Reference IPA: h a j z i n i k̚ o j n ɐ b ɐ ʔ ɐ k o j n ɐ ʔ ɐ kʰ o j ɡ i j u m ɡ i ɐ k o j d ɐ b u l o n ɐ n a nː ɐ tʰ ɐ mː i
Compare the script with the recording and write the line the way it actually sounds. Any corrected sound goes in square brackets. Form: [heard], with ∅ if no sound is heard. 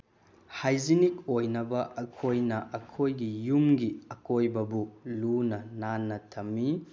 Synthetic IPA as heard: h a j z i n i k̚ o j n ɐ b ɐ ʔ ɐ [kʰ] o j n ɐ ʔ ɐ kʰ o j ɡ i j u m ɡ i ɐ k o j [b] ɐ b u l [u] n ɐ n a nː ɐ tʰ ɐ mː i

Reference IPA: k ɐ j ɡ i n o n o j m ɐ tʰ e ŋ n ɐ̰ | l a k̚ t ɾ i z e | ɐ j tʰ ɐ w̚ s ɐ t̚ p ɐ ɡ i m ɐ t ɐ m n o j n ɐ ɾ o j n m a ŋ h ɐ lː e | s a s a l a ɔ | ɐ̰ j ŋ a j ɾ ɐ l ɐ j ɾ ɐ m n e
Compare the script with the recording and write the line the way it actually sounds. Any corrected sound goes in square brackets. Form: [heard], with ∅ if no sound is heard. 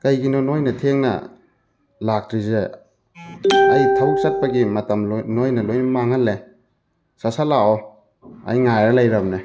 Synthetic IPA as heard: k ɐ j ɡ i n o n o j [n] ɐ tʰ e ŋ n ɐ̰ | l a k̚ t ɾ i z e | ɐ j tʰ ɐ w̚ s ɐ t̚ p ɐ ɡ i m ɐ t ɐ m n o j n ɐ [l] o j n m a ŋ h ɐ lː e | s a s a l a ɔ | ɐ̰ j ŋ a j ɾ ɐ l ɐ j ɾ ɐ m n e

